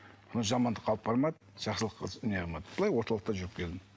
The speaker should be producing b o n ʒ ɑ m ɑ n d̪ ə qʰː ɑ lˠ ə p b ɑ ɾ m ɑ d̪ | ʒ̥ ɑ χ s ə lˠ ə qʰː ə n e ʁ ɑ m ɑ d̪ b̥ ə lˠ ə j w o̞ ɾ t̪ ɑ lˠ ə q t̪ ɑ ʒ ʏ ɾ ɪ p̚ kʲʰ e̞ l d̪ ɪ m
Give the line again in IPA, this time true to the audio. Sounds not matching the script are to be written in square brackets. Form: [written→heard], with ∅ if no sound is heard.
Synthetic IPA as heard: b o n ʒ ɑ m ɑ n d̪ ə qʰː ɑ lˠ ə p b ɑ ɾ m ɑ d̪ | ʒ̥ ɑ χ s ə lˠ ə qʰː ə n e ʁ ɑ m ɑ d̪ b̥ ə lˠ [ə→ɑ] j w o̞ ɾ t̪ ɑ lˠ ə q t̪ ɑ ʒ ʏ ɾ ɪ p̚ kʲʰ e̞ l d̪ ɪ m